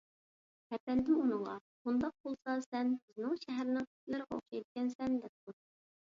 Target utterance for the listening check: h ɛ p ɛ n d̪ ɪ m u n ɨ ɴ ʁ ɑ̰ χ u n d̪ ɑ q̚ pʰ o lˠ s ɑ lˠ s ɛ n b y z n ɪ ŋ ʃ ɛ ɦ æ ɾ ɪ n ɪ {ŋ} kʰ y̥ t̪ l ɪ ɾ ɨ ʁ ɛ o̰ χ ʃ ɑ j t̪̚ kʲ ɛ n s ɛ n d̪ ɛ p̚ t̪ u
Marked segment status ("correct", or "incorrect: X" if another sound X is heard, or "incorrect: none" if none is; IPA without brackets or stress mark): correct